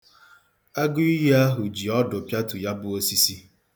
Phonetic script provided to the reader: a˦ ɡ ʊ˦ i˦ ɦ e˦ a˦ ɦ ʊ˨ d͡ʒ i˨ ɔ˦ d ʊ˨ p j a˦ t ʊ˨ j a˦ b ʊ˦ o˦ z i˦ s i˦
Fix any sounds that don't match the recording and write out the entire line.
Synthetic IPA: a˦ ɡ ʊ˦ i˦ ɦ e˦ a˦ ɦ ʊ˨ d͡ʒ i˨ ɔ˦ d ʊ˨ p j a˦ t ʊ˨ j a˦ b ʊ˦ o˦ s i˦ s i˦

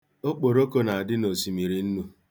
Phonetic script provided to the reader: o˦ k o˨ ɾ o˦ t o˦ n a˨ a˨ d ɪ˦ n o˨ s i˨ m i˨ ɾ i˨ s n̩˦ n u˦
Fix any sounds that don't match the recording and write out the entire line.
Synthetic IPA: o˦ k͡p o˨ ɾ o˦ k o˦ n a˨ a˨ d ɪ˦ n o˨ s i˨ m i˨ ɾ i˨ n̩˦ n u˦

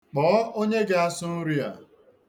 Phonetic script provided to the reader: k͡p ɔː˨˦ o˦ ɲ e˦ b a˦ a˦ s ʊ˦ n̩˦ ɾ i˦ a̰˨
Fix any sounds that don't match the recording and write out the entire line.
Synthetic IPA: k͡p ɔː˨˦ o˦ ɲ e˦ ɡ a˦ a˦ s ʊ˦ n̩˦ ɾ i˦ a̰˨

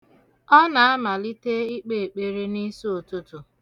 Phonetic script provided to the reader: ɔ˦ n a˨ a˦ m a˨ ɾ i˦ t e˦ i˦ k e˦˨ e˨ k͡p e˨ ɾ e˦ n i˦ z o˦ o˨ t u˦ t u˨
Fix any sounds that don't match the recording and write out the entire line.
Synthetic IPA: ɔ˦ n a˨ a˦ m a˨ l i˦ t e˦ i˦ k͡p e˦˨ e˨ k͡p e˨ ɾ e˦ n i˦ s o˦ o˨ t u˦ t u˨

